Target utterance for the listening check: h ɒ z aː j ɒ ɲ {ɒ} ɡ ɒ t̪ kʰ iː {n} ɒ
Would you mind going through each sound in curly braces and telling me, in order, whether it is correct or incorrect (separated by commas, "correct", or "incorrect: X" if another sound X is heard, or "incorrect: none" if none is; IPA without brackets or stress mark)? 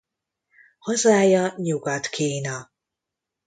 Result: incorrect: u, correct